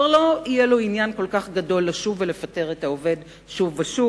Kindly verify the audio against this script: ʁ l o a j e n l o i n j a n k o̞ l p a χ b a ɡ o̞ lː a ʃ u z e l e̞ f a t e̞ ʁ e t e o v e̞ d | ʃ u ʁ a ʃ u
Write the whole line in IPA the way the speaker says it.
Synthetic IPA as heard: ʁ l o i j e l o i n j a n k o̞ l k a χ ɡ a d o̞ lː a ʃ u v e l e̞ f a t e̞ ʁ e t a o v e̞ d | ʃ u v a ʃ u